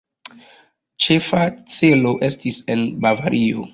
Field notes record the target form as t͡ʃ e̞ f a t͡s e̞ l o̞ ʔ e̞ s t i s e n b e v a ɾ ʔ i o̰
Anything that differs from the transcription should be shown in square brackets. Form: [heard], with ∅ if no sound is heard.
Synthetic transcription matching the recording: t͡ʃ e̞ f a t͡s e̞ l o̞ ʔ e̞ s t i s e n b [a] v a ɾ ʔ i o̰